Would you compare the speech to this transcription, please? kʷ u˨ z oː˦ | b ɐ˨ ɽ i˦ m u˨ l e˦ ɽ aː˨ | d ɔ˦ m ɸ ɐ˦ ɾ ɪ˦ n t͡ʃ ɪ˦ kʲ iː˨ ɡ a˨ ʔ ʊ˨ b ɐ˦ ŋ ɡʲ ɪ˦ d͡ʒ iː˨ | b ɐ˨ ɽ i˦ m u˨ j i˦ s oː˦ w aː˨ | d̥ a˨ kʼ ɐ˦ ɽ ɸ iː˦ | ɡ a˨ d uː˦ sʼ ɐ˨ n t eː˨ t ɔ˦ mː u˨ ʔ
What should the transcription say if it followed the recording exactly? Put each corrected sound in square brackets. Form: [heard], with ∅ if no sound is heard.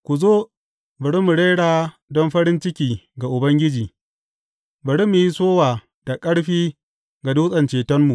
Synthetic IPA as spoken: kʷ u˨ z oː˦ | b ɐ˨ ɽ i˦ m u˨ [ɽ] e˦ ɽ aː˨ | d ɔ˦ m ɸ ɐ˦ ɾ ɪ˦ n t͡ʃ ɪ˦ kʲ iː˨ ɡ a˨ ʔ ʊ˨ b ɐ˦ ŋ ɡʲ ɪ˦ d͡ʒ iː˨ | b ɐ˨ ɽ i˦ m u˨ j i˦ s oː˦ w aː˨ | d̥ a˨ kʼ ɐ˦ ɽ ɸ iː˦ | ɡ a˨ d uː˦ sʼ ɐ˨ n [t͡ʃ] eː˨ t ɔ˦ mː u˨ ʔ